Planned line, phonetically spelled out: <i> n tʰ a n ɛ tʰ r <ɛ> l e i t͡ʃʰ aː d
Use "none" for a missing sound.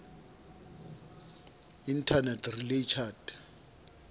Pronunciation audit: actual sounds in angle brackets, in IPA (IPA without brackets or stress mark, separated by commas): i, i